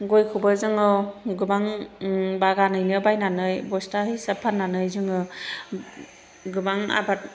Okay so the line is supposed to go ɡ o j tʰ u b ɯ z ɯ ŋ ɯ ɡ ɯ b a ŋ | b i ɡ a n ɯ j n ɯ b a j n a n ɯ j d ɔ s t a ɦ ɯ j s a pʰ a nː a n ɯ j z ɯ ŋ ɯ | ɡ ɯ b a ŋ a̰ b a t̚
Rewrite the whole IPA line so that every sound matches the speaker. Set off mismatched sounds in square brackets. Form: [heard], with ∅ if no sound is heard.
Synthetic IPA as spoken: ɡ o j [kʰ] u b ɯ z ɯ ŋ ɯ ɡ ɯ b a ŋ | b [a] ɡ a n ɯ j n ɯ b a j n a n ɯ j [b] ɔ s t a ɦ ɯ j s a pʰ a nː a n ɯ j z ɯ ŋ ɯ | ɡ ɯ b a ŋ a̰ b a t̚